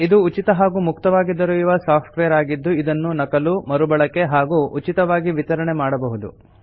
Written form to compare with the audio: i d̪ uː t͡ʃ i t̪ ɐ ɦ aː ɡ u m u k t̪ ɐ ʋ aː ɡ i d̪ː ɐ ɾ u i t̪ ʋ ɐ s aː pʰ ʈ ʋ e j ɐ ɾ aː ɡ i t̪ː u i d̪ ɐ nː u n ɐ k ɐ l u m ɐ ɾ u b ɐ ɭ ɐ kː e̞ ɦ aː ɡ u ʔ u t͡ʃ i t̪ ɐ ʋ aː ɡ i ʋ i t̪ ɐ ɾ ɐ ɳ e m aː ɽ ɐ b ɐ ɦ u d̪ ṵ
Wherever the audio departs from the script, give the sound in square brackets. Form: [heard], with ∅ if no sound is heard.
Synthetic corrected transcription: i d̪ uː t͡ʃ i t̪ ɐ ɦ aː ɡ u m u k t̪ ɐ ʋ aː ɡ i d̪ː ɐ ɾ u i [∅] ʋ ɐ s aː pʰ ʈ ʋ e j ɐ ɾ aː ɡ i [d̪ː] u i d̪ ɐ nː u n ɐ k ɐ l u m ɐ ɾ u b ɐ ɭ ɐ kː e̞ ɦ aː ɡ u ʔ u t͡ʃ i t̪ ɐ ʋ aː ɡ i ʋ i t̪ ɐ ɾ ɐ ɳ e m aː ɽ ɐ b ɐ ɦ u d̪ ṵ

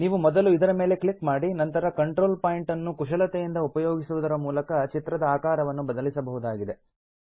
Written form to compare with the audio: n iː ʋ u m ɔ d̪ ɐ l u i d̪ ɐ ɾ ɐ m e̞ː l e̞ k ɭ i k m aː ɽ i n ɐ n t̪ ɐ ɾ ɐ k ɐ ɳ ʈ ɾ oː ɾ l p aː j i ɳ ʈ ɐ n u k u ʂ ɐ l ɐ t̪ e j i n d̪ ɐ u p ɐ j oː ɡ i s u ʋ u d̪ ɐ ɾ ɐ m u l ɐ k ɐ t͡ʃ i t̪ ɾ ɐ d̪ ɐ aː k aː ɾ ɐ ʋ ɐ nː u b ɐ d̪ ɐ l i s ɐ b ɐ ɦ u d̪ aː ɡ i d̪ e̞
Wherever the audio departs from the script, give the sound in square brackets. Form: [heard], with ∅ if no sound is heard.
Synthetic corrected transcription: n iː ʋ u m ɔ d̪ ɐ l u i d̪ ɐ ɾ ɐ m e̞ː l e̞ k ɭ i k m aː ɽ i n ɐ n t̪ ɐ ɾ ɐ k ɐ ɳ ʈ ɾ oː [∅] l p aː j i ɳ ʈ ɐ [nː] u k u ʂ ɐ l ɐ t̪ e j i n d̪ ɐ u p ɐ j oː ɡ i s u ʋ u d̪ ɐ ɾ ɐ m [uː] l ɐ k ɐ t͡ʃ i t̪ ɾ ɐ d̪ ɐ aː k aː ɾ ɐ ʋ ɐ nː u b ɐ d̪ ɐ l i s ɐ b ɐ ɦ u d̪ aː ɡ i d̪ e̞

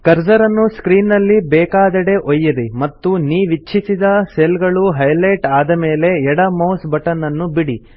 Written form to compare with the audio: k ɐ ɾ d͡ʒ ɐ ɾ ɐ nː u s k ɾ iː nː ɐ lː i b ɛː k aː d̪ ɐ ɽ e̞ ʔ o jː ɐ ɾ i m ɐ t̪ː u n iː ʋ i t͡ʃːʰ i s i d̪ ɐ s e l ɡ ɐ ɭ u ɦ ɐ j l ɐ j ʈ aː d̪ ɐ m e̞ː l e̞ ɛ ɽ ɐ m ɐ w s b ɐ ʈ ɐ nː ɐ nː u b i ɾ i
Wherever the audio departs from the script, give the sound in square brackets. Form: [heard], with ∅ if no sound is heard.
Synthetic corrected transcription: k ɐ ɾ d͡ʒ ɐ ɾ ɐ nː u s k ɾ iː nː ɐ lː i b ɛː k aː d̪ ɐ ɽ e̞ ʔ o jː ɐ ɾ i m ɐ t̪ː u n iː ʋ i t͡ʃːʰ i s i d̪ ɐ s e l ɡ ɐ ɭ u ɦ ɐ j l ɐ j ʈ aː d̪ ɐ m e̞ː l e̞ ɛ ɽ ɐ m ɐ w s b ɐ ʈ ɐ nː ɐ nː u b i [ɽ] i

